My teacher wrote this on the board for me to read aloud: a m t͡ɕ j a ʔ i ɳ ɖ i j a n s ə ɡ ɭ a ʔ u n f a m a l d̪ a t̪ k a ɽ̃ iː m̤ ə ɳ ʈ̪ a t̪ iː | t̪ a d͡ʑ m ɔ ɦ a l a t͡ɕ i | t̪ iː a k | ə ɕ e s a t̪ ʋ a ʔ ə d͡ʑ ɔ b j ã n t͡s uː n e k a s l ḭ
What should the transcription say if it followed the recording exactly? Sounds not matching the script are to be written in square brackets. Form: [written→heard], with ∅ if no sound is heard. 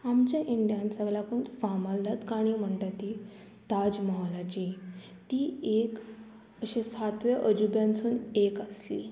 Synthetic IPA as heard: a m t͡ɕ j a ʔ i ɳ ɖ i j a n s ə ɡ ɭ a [ʔ→k] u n f a m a l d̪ a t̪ k a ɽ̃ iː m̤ ə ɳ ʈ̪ a t̪ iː | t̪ a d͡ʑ m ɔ ɦ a l a t͡ɕ i | t̪ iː [a→e] k | ə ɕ e s a t̪ ʋ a ʔ ə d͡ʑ [ɔ→u] b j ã n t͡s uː n e k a s l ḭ